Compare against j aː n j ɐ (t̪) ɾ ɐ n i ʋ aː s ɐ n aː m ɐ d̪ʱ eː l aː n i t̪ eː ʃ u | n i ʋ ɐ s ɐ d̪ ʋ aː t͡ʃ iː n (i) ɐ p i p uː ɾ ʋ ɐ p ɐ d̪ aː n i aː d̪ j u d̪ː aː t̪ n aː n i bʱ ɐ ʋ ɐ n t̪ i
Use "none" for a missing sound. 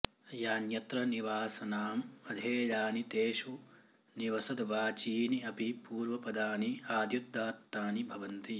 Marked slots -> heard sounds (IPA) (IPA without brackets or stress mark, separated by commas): t̪, i